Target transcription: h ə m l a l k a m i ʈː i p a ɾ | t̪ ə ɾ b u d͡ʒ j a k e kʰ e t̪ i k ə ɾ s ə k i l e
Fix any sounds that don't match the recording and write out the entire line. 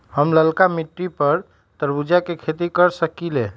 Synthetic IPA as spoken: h ə m l ə l k a m i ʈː i p ə ɾ | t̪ ə ɾ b u d͡ʒ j a k e kʰ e t̪ i k ə ɾ s ə k i l e